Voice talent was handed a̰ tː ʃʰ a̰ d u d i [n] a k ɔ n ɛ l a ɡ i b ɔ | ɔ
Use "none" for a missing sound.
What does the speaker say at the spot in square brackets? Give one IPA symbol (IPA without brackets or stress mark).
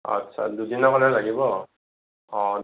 n